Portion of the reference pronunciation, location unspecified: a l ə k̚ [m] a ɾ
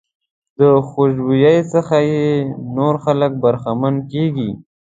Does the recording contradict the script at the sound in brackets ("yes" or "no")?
yes